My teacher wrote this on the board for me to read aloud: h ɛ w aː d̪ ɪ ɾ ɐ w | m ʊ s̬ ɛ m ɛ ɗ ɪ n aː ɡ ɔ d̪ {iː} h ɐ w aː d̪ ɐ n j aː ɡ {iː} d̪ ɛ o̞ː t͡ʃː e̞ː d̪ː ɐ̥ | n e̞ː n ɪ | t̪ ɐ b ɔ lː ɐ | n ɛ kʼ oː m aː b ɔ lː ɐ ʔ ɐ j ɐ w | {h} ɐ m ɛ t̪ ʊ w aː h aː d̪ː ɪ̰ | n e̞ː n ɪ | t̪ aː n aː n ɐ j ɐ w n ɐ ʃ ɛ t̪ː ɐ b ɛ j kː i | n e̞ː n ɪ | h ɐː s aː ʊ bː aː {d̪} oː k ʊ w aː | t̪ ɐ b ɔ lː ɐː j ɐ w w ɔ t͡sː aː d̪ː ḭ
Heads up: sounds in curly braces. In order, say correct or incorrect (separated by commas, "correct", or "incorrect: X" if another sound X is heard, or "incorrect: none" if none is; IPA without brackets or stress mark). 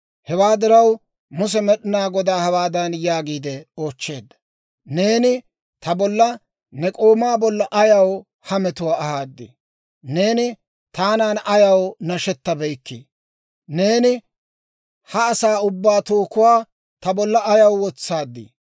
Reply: incorrect: aː, correct, correct, incorrect: t̪